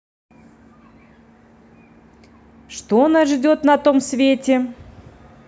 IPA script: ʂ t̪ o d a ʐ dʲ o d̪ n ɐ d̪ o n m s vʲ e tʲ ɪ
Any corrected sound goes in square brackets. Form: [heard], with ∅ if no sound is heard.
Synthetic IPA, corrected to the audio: ʂ t̪ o [n] a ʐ dʲ o [t̪] n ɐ [t̪] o [∅] m s vʲ e tʲ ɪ